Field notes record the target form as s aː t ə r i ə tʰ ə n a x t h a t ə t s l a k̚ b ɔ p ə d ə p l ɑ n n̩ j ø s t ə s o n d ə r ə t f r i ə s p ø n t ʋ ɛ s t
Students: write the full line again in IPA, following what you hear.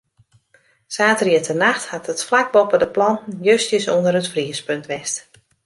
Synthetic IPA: s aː t ə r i ə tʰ ə n a x t h a t ə t f l a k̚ b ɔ p ə d ə p l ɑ n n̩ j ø s t ə s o n d ə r ə t f r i ə s p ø n t ʋ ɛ s t